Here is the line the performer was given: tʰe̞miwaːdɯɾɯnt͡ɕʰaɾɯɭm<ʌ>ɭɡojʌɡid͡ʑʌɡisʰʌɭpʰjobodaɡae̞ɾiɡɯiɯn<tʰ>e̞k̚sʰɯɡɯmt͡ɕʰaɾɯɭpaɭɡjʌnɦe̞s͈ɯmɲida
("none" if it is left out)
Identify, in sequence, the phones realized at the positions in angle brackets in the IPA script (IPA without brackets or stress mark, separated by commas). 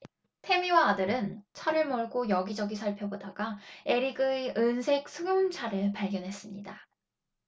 ʌ, sʰ